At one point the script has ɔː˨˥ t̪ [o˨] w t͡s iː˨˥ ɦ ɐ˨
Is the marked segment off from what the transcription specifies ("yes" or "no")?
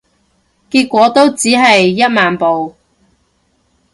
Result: yes